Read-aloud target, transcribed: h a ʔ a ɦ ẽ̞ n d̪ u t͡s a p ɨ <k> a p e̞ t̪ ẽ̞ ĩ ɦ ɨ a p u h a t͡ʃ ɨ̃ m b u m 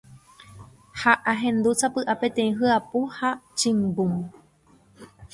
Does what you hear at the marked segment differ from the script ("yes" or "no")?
yes